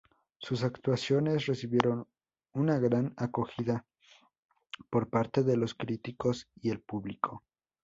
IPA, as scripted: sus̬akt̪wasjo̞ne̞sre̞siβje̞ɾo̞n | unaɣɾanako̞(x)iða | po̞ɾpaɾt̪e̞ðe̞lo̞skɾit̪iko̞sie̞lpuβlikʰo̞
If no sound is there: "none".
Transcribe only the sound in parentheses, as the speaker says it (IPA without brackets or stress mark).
x